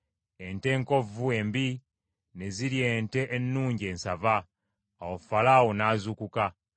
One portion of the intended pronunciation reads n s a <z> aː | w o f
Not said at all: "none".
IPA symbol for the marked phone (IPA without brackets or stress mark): v